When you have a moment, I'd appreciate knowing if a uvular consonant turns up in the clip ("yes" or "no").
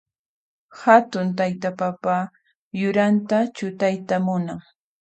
no